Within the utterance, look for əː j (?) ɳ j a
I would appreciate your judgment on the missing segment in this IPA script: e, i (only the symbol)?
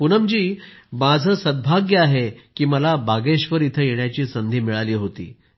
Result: e